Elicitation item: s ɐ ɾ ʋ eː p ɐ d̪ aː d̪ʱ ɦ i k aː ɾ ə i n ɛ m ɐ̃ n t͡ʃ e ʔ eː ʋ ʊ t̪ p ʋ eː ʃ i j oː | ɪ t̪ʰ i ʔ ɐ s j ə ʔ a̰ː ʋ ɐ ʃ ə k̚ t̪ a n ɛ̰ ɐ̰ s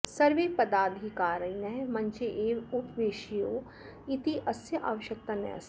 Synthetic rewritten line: s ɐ ɾ ʋ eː p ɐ d̪ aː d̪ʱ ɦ i k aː ɾ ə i n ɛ m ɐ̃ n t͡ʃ e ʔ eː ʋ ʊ p ʋ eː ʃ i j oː | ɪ t̪ i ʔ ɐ s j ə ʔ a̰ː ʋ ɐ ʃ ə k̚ t̪ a n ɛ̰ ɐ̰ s